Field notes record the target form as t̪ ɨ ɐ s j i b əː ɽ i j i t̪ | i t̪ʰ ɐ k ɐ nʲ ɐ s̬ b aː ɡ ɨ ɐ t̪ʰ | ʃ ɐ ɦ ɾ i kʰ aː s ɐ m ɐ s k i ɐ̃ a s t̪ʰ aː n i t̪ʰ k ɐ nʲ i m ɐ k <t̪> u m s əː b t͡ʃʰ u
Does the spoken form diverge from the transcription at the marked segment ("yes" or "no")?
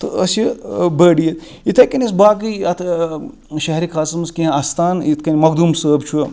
yes